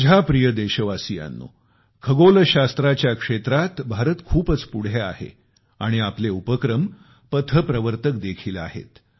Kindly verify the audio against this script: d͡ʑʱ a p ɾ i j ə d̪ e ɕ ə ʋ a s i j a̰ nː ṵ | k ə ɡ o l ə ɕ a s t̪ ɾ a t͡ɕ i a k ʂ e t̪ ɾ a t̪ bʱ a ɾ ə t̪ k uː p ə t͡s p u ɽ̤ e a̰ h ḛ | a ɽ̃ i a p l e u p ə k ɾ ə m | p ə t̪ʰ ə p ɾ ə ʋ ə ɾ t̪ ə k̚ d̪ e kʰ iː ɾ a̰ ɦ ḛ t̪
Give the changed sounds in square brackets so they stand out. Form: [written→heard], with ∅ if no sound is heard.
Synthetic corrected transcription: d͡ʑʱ a p ɾ i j ə d̪ e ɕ ə ʋ a s i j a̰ nː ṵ | [k→kʰ] ə ɡ o l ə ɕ a s t̪ ɾ a t͡ɕ [i→j] a k ʂ e t̪ ɾ a t̪ bʱ a ɾ ə t̪ [k→kʰ] uː p ə t͡s p u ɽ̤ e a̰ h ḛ | a ɽ̃ i a p l e u p ə k ɾ ə m | p ə t̪ʰ ə p ɾ ə ʋ ə ɾ t̪ ə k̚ d̪ e kʰ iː [ɾ→l] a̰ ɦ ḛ t̪